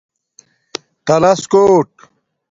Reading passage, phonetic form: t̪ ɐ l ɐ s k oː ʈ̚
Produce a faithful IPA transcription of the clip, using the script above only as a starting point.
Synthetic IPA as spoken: t̪ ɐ l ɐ s k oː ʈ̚